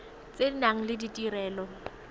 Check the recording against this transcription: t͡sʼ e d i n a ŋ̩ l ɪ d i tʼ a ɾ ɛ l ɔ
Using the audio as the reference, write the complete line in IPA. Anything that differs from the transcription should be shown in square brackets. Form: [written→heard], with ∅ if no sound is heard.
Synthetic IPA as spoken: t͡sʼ e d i n a ŋ̩ l ɪ d i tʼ [a→i] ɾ [ɛ→ɛː] l ɔ